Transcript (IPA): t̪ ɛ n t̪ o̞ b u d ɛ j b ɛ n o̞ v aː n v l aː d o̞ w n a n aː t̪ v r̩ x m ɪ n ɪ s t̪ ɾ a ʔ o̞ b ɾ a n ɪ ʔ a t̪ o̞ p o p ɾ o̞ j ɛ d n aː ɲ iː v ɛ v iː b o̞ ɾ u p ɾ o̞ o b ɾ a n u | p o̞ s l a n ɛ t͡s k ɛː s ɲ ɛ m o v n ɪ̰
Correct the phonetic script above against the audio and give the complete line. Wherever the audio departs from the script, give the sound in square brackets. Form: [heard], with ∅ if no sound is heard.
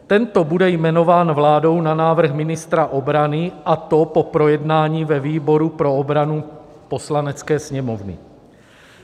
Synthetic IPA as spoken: t̪ ɛ n t̪ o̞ b u d ɛ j [m] ɛ n o̞ v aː n v l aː d o̞ w n a n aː [∅] v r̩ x m ɪ n ɪ s t̪ ɾ a ʔ o̞ b ɾ a n ɪ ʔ a t̪ o̞ p o p ɾ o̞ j ɛ d n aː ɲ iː v ɛ v iː b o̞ ɾ u p ɾ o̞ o b ɾ a n u | p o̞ s l a n ɛ t͡s k ɛː s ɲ ɛ m o v n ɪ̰